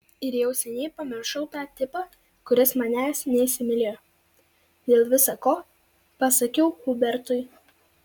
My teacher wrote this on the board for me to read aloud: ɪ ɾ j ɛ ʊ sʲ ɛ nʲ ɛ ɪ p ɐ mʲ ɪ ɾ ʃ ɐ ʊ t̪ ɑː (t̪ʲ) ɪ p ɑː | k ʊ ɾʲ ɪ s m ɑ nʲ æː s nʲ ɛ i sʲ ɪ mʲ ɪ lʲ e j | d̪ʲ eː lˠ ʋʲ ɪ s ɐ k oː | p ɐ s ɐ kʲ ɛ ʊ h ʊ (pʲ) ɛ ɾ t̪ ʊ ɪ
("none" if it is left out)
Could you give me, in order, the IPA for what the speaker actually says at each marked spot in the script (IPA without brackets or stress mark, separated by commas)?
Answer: t̪ʲ, bʲ